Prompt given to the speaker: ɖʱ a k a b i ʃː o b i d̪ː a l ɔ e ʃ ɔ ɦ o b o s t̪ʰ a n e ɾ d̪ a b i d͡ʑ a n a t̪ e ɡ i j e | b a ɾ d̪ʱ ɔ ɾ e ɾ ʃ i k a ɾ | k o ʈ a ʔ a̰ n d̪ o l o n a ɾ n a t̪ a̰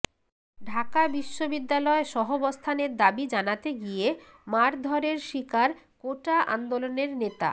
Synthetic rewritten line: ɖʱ a k a b i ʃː o b i d̪ː a l ɔ e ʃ ɔ ɦ o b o s t̪ʰ a n e ɾ d̪ a b i d͡ʑ a n a t̪ e ɡ i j e | m a ɾ d̪ʱ ɔ ɾ e ɾ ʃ i k a ɾ | k o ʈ a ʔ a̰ n d̪ o l o n e ɾ n e t̪ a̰